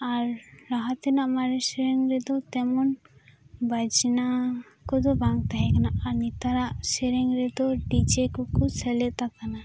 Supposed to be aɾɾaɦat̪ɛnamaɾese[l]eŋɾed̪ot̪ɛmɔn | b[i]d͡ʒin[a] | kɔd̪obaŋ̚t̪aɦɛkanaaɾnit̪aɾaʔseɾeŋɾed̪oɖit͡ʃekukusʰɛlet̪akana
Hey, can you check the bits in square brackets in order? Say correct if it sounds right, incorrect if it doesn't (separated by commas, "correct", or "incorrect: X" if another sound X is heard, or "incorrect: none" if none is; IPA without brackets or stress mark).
incorrect: ɾ, incorrect: a, correct